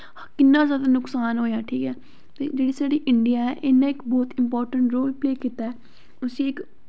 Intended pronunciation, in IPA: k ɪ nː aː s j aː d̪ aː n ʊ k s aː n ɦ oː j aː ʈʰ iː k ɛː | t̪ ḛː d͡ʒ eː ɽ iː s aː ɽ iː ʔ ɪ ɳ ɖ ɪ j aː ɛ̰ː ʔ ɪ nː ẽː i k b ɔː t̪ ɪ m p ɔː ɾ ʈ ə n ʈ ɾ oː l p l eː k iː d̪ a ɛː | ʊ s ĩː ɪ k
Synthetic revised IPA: k ɪ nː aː z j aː d̪ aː n ʊ k s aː n ɦ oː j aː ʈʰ iː k ɛː | t̪ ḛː d͡ʒ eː ɽ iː s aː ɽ iː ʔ ɪ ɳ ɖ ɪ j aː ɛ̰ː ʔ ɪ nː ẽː ɪ k b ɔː t̪ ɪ m p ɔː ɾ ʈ ə ɳ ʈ ɾ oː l p l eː k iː t̪ a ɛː | ʊ s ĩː ɪ k

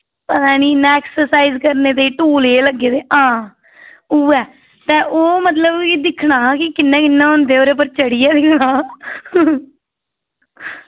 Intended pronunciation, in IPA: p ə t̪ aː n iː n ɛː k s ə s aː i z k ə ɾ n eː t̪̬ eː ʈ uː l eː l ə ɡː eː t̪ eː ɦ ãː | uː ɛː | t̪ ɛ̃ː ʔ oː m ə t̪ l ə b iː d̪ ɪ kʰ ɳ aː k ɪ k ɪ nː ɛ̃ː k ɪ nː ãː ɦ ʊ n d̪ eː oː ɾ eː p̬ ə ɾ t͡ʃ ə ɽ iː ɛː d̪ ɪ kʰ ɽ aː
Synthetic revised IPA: p ə t̪ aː n iː n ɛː k s ə s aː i z k ə ɾ n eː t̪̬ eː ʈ uː l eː l ə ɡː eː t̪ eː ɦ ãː | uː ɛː | t̪ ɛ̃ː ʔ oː m ə t̪ l ə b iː d̪ ɪ kʰ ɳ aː k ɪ k ɪ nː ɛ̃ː k ɪ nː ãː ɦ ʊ n d̪ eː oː ɾ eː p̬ ə ɾ t͡ʃ ə ɽ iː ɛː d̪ ɪ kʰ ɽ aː

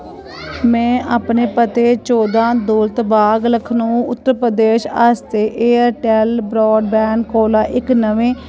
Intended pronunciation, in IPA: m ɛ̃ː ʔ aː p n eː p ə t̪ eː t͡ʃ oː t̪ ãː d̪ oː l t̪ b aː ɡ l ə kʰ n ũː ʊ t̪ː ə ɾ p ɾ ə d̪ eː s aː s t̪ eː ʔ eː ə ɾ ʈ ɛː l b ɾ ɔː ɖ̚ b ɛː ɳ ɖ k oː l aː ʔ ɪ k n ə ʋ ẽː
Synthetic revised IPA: m ɛ̃ː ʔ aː p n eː p ə t̪ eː t͡ʃ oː d̪ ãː d̪ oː l t̪ b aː ɡ l ə kʰ n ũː ʊ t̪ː ə ɾ p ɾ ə d̪ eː ʃ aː s t̪ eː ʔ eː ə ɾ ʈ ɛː l b ɾ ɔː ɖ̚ b ɛː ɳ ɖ k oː l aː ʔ ɪ k n ə ʋ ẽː

